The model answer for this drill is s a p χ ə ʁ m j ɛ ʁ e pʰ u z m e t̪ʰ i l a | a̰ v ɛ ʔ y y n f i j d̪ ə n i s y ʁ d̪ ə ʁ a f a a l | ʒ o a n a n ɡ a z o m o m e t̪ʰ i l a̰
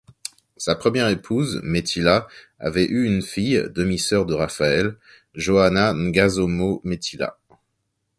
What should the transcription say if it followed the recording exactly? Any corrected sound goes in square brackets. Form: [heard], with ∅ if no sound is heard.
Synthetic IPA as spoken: s a p χ ə [∅] m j ɛ ʁ e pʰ u z m e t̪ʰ i l a | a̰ v ɛ ʔ y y n f i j d̪ ə [m] i s [œ] ʁ d̪ ə ʁ a f a [ɛ] l | ʒ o a n a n ɡ a z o m o m e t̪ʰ i l a̰